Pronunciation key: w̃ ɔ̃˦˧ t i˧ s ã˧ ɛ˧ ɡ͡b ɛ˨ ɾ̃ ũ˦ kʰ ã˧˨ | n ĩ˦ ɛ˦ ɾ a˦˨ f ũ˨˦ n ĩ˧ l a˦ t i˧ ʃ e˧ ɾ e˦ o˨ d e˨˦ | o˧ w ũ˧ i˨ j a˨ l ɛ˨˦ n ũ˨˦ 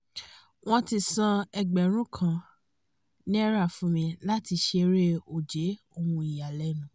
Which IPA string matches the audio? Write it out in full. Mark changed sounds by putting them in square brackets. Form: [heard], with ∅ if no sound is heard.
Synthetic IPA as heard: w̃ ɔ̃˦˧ t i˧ s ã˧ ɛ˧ ɡ͡b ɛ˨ ɾ̃ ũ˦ kʰ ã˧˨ | n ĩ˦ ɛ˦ ɾ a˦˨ f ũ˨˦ [m] ĩ˧ l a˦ t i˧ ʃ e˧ ɾ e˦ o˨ [d͡ʒ] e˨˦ | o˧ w ũ˧ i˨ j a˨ l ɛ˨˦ n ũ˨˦